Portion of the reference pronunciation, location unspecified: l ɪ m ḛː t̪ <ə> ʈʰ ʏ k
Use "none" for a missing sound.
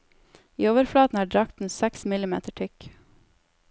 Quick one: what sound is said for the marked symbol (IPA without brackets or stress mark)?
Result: ə